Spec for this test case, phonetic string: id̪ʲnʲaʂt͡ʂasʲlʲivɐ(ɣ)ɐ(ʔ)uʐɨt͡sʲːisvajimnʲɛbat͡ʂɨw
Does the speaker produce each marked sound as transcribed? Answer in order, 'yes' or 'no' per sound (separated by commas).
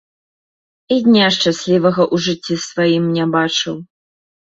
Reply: yes, yes